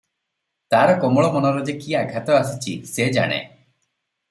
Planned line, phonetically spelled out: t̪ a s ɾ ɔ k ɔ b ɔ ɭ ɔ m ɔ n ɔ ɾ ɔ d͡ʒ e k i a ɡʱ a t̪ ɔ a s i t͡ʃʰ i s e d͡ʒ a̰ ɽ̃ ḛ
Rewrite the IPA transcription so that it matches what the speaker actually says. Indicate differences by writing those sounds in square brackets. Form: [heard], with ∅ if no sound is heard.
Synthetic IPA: t̪ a [∅] ɾ ɔ k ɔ [m] ɔ ɭ ɔ m ɔ n ɔ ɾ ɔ d͡ʒ e k i a ɡʱ a t̪ ɔ a s i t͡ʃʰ i s e d͡ʒ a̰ ɽ̃ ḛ